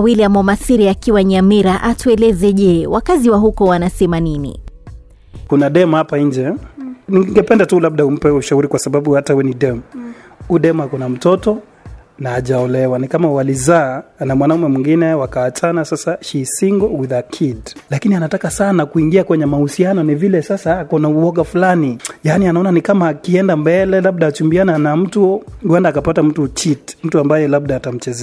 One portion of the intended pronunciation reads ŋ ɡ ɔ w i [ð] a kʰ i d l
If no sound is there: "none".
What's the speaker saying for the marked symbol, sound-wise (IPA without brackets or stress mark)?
ð